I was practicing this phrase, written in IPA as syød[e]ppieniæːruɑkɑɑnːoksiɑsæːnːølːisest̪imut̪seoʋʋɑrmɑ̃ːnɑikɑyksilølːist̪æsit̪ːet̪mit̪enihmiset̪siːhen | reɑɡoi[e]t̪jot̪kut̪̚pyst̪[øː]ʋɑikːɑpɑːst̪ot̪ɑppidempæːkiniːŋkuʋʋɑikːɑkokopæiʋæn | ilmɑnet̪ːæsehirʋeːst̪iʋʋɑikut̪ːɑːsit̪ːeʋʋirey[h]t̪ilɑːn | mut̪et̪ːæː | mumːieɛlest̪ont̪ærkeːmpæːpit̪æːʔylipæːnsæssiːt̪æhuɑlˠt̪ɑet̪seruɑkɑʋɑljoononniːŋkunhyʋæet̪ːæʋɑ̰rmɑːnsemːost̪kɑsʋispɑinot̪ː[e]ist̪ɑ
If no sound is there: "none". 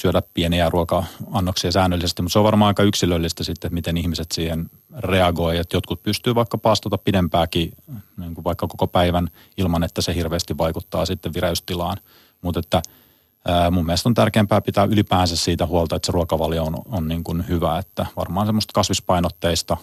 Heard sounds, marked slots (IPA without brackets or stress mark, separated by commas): æ, e, yː, s, e